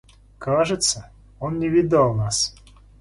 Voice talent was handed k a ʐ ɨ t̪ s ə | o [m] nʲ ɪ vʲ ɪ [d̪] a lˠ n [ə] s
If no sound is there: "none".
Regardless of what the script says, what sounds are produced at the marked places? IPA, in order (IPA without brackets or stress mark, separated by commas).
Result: n, d̪, a